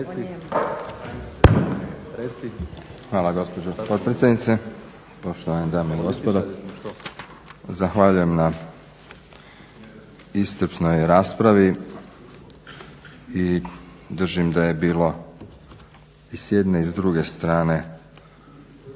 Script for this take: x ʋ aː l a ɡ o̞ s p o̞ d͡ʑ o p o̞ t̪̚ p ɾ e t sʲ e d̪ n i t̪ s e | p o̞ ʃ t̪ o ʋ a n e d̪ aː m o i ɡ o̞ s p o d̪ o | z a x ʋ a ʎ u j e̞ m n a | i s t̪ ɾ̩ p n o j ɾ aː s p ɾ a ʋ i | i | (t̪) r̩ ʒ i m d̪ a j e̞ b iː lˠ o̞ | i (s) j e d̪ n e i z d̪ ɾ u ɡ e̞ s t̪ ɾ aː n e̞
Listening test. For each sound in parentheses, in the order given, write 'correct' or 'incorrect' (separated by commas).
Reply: incorrect, correct